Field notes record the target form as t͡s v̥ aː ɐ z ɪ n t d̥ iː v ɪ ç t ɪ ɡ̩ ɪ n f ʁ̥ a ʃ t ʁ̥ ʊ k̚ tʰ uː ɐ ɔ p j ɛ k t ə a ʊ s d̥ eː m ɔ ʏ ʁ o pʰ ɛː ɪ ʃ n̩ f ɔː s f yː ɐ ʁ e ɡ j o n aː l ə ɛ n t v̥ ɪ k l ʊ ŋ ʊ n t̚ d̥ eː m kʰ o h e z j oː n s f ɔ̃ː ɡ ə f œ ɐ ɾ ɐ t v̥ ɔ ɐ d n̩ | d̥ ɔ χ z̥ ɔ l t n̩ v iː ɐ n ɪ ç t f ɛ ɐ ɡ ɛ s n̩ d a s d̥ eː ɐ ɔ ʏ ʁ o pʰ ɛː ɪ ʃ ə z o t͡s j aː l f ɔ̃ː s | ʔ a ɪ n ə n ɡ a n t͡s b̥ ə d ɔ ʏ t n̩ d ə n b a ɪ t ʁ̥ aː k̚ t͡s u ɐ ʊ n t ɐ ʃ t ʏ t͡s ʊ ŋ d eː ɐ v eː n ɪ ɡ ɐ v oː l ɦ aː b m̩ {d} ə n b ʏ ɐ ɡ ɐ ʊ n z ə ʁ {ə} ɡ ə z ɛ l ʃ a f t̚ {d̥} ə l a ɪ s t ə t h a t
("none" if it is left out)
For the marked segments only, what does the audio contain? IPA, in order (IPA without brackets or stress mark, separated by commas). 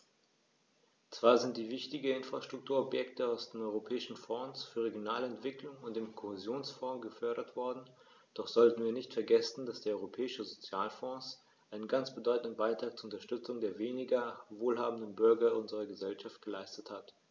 d, ɐ, ɡ̥